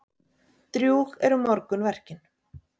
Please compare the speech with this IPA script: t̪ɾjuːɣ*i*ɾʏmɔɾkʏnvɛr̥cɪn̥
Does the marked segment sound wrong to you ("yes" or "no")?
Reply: yes